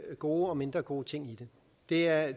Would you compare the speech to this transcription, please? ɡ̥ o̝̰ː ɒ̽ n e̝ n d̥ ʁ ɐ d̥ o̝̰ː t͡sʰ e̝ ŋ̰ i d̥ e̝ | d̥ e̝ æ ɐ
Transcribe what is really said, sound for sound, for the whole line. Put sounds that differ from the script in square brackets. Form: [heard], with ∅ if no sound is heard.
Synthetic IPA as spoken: ɡ̥ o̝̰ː ɒ̽ [m] e̝ n d̥ ʁ ɐ [ɡ̥] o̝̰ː t͡sʰ e̝ ŋ̰ i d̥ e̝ | d̥ e̝ æ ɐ